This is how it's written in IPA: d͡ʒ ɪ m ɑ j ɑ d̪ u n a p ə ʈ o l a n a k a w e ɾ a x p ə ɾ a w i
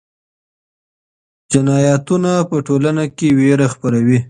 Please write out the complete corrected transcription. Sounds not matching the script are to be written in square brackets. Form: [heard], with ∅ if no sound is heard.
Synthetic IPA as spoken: d͡ʒ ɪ [n] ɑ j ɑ [t̪] u n a p ə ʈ o l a n a k [e] w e ɾ a x p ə ɾ a w i